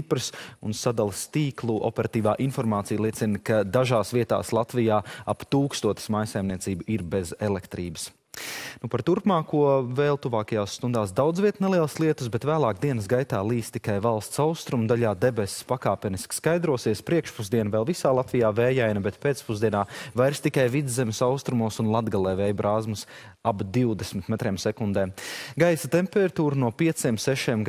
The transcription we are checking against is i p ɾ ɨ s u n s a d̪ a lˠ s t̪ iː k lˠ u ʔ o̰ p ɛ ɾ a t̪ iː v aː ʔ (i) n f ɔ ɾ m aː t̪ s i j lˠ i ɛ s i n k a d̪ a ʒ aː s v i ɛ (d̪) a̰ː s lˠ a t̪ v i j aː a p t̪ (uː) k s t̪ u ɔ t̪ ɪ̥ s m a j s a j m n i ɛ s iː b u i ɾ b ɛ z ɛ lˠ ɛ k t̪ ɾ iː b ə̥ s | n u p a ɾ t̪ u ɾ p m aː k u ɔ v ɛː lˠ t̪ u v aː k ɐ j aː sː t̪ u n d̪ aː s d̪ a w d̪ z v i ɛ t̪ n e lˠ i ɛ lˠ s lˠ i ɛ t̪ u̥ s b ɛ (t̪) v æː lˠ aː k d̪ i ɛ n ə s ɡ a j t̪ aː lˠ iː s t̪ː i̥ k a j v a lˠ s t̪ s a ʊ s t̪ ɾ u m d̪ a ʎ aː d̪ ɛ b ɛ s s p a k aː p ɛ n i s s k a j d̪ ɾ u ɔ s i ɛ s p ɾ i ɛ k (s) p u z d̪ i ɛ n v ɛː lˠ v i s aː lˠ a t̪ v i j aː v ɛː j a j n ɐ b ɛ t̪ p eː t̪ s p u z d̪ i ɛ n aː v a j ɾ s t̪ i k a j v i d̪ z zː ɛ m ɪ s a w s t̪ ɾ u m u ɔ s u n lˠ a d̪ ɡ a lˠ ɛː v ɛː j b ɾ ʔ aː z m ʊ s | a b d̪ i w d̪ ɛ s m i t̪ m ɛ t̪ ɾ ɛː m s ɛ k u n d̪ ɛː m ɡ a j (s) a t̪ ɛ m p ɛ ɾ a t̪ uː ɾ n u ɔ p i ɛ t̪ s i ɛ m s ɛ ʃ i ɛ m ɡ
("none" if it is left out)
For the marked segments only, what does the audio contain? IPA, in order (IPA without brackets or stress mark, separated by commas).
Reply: i, t̪, uː, t̪, ʃ, s